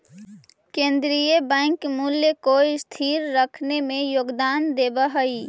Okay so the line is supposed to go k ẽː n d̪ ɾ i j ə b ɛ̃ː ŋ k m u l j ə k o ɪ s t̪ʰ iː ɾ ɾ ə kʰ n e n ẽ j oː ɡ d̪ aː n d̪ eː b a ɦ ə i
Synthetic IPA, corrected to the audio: k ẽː n d̪ ɾ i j ə b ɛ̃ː ŋ k m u l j ə k o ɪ s t̪ʰ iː ɾ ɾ ə kʰ n e m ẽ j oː ɡ d̪ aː n d̪ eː b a ɦ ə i

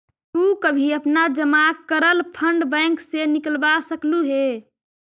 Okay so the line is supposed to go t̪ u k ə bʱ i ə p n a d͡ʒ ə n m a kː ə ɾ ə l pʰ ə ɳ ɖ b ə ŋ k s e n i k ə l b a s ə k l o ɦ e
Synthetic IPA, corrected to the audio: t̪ u k ə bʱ i ə p n a d͡ʒ ə m a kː ə ɾ ə l pʰ ə ɳ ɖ b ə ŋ k s e n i k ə l b a s ə k l u ɦ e

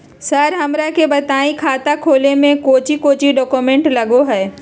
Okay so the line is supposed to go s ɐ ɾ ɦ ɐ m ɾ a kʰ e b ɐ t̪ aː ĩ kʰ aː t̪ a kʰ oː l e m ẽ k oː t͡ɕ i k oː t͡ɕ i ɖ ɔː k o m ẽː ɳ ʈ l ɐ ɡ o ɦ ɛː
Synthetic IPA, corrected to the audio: s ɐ ɾ ɦ ɐ m ɾ a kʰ e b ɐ t̪ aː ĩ kʰ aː t̪ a kʰ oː l e m ẽ k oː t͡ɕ i k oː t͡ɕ i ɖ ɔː k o m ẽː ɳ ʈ l ɐ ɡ o ɦ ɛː

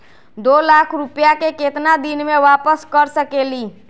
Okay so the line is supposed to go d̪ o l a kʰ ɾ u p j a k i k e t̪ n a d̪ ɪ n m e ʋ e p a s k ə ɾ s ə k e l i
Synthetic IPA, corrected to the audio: d̪ o l a kʰ ɾ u p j a k e k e t̪ n a d̪ i n m e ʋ a p ə s k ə ɾ s ə k e l i

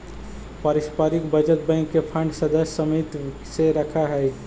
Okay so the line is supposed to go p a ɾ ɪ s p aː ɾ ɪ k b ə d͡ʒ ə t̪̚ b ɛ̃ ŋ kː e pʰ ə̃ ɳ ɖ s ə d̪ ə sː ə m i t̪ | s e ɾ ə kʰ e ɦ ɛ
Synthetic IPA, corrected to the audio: p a ɾ ɪ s p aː ɾ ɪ k b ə d͡ʒ ə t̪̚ b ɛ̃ ŋ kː e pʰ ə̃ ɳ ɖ s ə d̪ ə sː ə m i t̪ | s e ɾ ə kʰ a ɦ ɛ

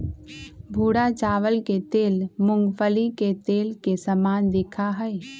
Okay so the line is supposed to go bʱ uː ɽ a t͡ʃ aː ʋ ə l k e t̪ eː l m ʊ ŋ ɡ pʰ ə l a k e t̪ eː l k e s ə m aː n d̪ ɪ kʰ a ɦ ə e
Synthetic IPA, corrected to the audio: bʱ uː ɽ a t͡ʃ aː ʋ ə l k e t̪ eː l m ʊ ŋ ɡ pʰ ə l i k e t̪ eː l k e s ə m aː n d̪ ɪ kʰ a ɦ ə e

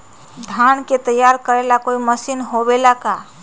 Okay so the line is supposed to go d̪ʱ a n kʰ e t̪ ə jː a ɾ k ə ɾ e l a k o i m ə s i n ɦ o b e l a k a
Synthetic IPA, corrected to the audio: d̪ʱ a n k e t̪ ə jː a ɾ k ə ɾ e l a k o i m ə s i n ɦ o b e l a k a

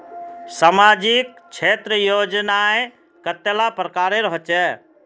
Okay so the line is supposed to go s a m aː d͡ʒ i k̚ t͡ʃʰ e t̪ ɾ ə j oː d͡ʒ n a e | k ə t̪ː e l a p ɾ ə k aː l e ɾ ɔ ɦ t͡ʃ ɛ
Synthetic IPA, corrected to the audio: s a m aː d͡ʒ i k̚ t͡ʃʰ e t̪ ɾ ə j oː d͡ʒ n a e | k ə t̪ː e l a p ɾ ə k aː ɾ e ɾ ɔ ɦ t͡ʃ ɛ

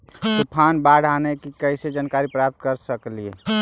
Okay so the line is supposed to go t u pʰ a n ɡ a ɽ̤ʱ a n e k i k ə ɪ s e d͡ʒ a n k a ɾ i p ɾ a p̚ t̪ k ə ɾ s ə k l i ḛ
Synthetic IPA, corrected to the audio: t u pʰ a n b a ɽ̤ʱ a n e k i k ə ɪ s e d͡ʒ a n k a ɾ i p ɾ a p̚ t̪ k ə ɾ s ə k l i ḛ

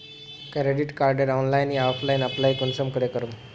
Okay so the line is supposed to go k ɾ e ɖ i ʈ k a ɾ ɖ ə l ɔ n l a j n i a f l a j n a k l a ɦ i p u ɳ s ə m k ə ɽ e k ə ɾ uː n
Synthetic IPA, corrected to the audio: k ɾ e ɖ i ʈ k a ɾ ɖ ə ɾ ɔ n l a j n i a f l a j n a p l a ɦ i k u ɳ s ə m k ə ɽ e k ə ɾ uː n

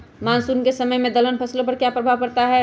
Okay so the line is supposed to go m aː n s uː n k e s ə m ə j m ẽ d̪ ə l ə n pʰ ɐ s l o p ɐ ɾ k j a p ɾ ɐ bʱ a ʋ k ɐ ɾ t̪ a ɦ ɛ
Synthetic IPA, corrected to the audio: m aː n s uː n k e s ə m ə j m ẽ d̪ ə l ə n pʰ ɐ s l o p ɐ ɾ k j a p ɾ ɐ bʱ a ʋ k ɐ ɾ t̪ a ɦ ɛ

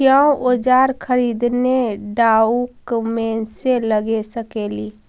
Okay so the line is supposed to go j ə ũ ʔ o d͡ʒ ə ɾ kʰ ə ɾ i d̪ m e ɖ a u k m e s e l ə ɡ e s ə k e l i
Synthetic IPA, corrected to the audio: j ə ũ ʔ o d͡ʒ a ɾ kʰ ə ɾ i d̪ n e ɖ a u k m e s e l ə ɡ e s ə k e l i

